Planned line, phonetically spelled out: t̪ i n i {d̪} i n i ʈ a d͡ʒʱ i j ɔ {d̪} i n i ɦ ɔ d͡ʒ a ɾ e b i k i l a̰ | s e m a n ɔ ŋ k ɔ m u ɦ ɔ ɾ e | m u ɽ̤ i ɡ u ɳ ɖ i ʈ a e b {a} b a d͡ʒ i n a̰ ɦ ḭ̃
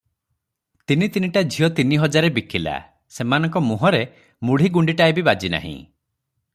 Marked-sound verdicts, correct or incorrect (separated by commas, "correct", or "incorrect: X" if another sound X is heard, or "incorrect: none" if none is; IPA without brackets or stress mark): incorrect: t̪, incorrect: t̪, incorrect: i